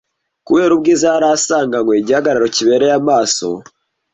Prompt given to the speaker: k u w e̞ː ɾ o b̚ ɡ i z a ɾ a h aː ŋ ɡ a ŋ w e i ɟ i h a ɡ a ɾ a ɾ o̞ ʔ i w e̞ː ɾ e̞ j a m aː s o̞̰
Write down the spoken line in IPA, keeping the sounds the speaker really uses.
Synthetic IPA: k u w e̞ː ɾ u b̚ ɡ i z a ɾ a s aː ŋ ɡ a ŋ w e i ɟ i h a ɡ a ɾ a ɾ o̞ c i β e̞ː ɾ e̞ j a m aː s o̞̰